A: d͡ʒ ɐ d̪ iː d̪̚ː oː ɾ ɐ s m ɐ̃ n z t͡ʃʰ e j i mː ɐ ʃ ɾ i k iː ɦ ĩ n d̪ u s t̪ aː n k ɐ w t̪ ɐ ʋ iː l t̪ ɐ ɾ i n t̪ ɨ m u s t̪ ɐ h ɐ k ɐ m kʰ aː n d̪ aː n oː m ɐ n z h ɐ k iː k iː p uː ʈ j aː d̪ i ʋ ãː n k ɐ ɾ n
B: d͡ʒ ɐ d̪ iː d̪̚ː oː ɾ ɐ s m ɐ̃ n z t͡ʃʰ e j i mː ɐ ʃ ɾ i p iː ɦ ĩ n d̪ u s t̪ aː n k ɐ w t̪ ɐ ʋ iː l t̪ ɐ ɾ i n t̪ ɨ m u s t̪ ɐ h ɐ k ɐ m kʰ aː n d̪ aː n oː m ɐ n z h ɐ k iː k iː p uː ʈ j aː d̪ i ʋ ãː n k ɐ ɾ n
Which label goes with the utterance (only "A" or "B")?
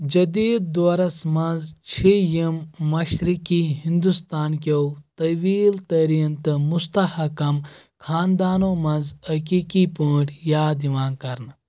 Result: A